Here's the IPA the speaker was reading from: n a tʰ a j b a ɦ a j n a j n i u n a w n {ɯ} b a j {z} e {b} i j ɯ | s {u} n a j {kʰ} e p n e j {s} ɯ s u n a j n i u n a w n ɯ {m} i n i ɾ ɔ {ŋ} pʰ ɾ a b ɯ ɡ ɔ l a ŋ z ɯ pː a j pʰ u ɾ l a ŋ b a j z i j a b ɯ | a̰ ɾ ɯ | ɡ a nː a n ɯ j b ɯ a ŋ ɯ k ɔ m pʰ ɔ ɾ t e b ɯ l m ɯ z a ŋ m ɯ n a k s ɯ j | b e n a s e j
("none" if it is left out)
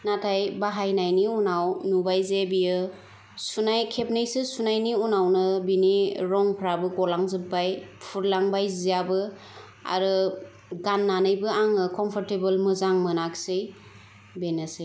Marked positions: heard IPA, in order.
u, z, b, u, kʰ, s, b, ŋ

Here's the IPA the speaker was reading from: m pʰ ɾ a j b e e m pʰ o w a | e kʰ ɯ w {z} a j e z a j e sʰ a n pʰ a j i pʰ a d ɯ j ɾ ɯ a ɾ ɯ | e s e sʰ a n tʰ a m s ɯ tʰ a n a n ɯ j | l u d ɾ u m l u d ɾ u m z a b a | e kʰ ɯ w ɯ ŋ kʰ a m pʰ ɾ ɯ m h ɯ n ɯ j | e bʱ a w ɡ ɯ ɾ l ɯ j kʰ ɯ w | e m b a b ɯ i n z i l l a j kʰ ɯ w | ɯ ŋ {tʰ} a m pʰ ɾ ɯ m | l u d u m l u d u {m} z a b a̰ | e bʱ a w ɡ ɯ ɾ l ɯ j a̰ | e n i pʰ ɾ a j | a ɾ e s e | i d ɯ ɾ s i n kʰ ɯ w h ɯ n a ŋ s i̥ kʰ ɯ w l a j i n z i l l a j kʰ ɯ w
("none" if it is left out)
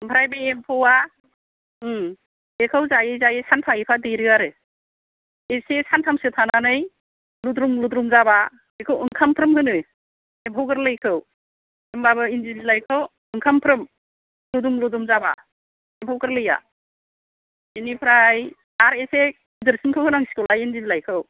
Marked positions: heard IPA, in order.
z, kʰ, m

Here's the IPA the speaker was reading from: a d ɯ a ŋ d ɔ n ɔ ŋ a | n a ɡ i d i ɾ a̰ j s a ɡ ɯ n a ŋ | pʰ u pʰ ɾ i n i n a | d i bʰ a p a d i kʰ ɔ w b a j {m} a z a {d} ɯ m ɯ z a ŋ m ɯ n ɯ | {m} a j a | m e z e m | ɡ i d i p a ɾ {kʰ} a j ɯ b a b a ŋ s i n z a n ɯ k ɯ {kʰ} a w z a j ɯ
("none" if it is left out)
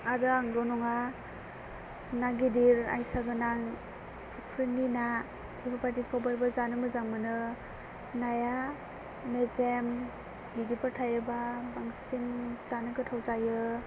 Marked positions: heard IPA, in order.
b, n, n, tʰ, tʰ

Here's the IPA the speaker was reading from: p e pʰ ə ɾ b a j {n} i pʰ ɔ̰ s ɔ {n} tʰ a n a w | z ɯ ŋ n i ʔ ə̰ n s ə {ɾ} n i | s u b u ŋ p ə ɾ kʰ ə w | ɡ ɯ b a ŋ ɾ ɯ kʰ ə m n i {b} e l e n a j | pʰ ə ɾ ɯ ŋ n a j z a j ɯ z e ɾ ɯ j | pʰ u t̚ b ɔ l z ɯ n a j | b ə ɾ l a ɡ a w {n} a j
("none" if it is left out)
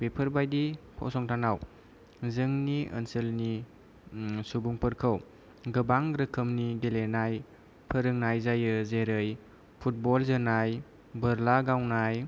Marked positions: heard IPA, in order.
d, ŋ, l, ɡ, n

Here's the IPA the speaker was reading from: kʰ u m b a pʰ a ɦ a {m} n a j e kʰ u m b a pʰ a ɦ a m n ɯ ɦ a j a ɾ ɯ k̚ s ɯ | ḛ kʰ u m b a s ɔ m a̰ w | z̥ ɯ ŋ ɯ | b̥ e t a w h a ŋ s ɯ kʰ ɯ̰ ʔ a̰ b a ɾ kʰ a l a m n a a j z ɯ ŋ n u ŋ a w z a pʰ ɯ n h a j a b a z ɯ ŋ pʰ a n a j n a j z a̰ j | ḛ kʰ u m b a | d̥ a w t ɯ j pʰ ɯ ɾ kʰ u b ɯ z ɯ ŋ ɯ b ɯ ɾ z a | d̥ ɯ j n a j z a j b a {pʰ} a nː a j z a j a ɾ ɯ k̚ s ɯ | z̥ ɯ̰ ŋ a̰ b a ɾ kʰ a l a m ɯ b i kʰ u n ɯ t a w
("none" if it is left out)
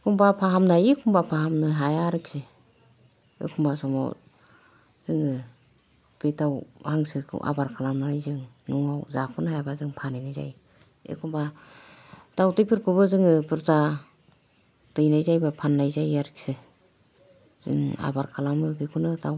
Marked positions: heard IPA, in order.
m, pʰ

